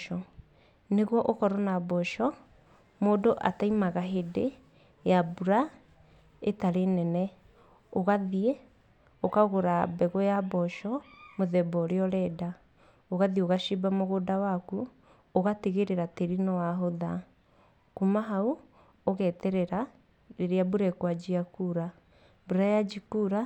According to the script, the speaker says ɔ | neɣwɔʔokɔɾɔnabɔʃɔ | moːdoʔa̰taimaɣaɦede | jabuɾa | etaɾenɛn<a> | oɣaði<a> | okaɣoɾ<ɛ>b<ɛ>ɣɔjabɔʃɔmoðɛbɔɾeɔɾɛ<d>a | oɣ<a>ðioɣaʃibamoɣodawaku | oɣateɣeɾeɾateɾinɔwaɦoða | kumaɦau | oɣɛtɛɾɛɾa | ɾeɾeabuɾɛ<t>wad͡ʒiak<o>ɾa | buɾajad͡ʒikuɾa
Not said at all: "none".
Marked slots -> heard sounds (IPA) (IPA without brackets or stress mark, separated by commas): ɛ, e, a, ɛ, d, a, k, u